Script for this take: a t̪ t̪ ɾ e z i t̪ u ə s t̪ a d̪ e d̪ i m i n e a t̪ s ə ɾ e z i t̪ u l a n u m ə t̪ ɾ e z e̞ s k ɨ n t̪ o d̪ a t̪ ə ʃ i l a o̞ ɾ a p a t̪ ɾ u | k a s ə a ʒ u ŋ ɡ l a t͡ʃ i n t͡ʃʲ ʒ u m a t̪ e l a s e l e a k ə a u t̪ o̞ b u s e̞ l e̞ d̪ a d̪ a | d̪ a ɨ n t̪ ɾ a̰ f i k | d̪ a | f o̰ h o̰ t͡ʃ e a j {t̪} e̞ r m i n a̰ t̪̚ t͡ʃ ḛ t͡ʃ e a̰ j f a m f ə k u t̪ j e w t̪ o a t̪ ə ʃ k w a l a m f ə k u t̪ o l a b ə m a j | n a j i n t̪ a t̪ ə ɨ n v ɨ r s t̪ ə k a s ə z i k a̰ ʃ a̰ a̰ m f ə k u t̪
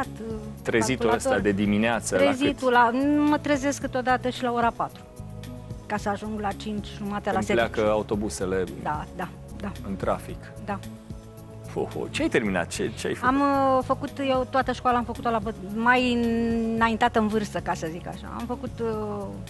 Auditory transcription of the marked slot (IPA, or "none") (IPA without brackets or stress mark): t̪